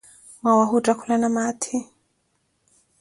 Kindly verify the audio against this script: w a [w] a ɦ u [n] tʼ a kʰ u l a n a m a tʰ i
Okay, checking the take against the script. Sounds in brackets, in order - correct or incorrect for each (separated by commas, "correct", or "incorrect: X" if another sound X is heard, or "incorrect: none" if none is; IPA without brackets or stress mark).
correct, incorrect: none